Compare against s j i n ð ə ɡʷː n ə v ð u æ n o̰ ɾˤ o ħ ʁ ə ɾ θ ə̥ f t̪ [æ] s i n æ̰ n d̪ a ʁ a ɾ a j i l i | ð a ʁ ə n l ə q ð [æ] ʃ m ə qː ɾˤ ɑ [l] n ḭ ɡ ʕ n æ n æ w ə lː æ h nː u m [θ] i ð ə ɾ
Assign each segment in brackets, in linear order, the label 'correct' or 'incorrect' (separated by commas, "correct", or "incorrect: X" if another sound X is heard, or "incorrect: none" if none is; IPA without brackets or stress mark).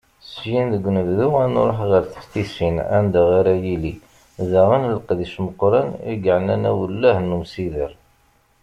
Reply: incorrect: i, incorrect: i, incorrect: none, incorrect: s